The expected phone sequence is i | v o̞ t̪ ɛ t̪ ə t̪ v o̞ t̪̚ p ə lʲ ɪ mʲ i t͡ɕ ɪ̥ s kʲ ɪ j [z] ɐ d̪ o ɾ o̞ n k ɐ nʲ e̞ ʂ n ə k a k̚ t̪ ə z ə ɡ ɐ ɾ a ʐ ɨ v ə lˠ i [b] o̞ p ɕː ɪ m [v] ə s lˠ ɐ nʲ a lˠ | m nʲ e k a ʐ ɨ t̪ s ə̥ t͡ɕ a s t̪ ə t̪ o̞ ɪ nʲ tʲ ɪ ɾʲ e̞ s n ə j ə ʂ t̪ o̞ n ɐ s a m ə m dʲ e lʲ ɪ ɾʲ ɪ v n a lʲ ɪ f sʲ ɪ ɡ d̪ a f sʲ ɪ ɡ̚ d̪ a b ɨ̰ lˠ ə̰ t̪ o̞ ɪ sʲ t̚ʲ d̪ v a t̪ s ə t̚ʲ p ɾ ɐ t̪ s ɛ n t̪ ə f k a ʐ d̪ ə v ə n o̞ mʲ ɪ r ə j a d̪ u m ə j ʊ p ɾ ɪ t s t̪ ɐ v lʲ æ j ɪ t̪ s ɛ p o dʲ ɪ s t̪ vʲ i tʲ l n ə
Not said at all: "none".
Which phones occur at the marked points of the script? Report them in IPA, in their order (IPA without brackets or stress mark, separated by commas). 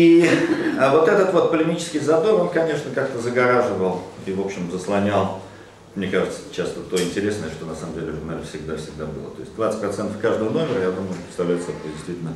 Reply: z, v, z